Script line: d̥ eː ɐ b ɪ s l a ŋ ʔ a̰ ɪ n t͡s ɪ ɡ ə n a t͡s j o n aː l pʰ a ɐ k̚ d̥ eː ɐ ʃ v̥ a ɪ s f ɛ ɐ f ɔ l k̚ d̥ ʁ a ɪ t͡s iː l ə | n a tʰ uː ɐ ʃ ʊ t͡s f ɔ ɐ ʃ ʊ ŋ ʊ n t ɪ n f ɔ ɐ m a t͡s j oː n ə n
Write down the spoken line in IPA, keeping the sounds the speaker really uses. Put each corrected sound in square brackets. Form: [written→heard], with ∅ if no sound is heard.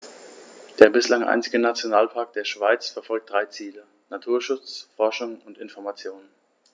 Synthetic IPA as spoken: d̥ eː ɐ b ɪ s l a ŋ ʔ a̰ ɪ n t͡s ɪ ɡ ə n a t͡s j o n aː l pʰ a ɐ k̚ d̥ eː ɐ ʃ v̥ a ɪ [s→t͡s] f ɛ ɐ f ɔ l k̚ d̥ ʁ a ɪ t͡s iː l ə | n a tʰ uː ɐ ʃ ʊ t͡s f ɔ ɐ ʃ ʊ ŋ ʊ n t ɪ n f ɔ ɐ m a t͡s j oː n ə n